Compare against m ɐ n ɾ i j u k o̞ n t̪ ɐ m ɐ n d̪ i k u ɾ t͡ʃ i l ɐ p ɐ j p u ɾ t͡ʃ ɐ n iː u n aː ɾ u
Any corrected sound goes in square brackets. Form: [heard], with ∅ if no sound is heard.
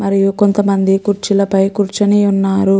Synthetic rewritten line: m ɐ [∅] ɾ i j u k o̞ n t̪ ɐ m ɐ n d̪ i k u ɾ t͡ʃ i l ɐ p ɐ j [k] u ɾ t͡ʃ ɐ n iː u [nː] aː ɾ u